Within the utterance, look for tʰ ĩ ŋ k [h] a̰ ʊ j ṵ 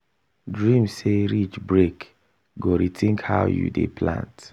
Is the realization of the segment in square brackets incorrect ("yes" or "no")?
no